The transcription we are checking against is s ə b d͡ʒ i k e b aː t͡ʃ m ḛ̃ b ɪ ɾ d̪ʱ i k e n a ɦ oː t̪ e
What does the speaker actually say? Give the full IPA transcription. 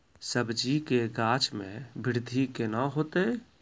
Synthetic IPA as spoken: s ə b d͡ʒ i k e ɡ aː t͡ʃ m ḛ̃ b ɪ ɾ d̪ʱ i k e n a ɦ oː t̪ e